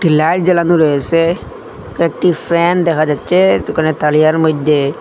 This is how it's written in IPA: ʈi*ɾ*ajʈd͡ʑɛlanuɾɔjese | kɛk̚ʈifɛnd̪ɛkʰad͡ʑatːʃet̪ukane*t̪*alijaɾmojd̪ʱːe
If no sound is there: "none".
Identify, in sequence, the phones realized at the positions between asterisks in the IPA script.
l, t̪

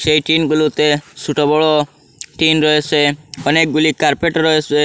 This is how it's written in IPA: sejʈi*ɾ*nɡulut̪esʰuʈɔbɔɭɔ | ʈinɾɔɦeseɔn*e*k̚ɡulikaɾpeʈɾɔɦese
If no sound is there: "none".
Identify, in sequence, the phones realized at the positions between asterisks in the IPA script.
none, e

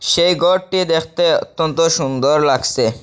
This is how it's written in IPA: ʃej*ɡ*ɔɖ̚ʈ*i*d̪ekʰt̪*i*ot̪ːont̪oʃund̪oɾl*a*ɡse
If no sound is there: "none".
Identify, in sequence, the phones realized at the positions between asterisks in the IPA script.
ɡ, i, e, a

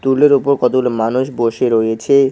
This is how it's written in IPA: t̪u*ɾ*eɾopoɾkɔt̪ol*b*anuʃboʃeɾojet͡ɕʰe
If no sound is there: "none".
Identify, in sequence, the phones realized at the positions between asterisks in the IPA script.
l, m

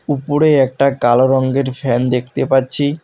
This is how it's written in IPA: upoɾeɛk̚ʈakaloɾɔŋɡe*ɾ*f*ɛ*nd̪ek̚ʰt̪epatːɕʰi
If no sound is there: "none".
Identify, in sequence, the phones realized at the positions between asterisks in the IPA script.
ɾ, ɛ

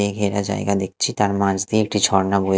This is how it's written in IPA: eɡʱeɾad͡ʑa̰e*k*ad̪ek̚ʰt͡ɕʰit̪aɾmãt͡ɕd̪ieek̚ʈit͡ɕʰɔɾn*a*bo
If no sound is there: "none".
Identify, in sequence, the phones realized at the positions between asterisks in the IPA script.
ɡ, a

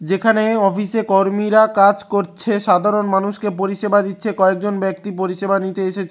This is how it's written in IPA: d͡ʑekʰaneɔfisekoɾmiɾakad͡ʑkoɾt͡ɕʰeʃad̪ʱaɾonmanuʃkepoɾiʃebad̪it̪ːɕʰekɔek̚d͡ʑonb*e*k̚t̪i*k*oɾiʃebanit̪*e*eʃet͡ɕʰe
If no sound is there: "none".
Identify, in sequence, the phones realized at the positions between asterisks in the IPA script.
ɛ, p, e

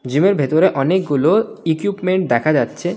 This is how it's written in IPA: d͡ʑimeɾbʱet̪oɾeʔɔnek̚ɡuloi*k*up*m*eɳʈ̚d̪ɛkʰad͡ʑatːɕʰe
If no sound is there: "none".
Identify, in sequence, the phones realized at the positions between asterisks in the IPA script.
k, m

